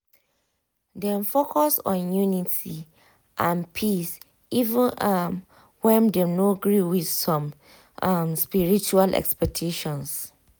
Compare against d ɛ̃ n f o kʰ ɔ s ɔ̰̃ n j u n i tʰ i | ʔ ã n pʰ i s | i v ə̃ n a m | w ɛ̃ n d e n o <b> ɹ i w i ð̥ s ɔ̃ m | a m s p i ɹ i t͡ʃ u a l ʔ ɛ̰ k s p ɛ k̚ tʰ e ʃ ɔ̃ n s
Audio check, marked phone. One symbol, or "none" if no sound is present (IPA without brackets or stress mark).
ɡ